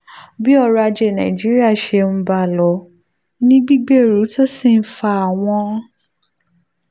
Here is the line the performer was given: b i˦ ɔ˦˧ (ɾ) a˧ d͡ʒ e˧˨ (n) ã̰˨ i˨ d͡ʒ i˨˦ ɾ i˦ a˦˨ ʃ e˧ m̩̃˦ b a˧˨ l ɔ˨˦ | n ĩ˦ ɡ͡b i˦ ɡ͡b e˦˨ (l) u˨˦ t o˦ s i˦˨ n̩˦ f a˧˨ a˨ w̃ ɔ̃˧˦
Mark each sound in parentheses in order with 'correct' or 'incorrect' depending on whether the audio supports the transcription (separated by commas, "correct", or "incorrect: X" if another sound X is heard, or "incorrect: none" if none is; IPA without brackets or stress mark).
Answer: correct, correct, incorrect: ɾ